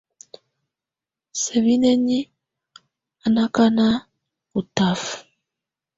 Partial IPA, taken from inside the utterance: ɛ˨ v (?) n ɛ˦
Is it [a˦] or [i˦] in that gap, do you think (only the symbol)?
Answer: i˦